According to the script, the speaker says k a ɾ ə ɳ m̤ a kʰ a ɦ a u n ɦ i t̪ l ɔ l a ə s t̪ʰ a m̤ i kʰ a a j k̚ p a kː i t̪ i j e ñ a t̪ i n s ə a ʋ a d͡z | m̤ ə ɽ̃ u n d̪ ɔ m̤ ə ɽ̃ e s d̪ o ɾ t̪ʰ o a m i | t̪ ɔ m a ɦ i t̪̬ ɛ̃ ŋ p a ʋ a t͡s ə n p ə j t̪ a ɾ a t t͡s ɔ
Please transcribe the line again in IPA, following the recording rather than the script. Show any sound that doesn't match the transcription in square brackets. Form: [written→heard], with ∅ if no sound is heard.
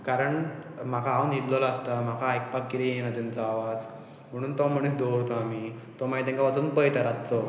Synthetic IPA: k a ɾ ə ɳ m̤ a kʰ a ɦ a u n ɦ i t̪ l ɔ l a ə s [t̪ʰ→t̪] a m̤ [i→a] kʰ a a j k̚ p a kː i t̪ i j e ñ a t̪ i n [s→t͡s] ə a ʋ a d͡z | m̤ ə ɽ̃ [u→uː] n [d̪→t̪] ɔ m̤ ə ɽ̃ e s d̪ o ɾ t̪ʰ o a m i | t̪ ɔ m a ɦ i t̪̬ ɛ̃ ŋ [p→k] a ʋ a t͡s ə n p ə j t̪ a ɾ a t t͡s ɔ